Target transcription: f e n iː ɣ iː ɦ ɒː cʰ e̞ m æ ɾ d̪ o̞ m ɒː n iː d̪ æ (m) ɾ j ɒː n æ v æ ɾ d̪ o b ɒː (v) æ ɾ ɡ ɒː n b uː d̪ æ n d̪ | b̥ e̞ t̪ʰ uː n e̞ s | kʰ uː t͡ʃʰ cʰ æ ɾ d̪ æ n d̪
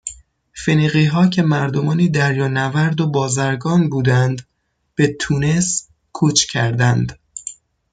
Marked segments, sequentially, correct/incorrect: incorrect: none, incorrect: z

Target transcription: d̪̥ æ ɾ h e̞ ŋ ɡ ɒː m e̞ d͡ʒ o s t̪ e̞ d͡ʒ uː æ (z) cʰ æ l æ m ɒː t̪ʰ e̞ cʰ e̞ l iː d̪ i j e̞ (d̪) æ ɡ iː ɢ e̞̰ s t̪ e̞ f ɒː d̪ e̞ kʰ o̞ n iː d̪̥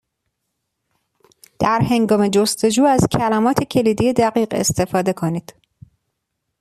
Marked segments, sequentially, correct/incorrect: correct, correct

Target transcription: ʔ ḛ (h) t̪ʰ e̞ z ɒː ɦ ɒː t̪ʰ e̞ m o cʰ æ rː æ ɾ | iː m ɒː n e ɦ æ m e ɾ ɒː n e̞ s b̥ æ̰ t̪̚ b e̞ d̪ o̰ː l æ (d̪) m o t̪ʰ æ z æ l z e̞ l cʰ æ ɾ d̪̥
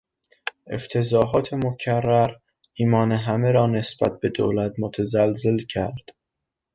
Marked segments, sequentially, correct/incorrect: incorrect: f, incorrect: t̪

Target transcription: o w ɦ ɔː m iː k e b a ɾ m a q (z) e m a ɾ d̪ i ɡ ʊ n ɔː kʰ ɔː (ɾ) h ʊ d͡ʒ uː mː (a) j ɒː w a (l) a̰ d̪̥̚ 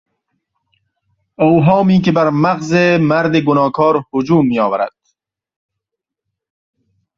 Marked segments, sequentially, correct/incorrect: correct, correct, incorrect: i, incorrect: ɾ

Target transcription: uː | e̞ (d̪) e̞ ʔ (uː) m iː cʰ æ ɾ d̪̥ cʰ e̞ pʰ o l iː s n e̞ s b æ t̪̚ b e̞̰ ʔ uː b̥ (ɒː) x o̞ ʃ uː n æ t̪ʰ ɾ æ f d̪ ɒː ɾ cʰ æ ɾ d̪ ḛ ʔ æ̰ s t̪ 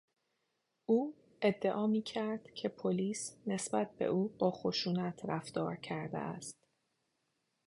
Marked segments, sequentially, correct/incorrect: incorrect: d̪ː, incorrect: ɒː, correct

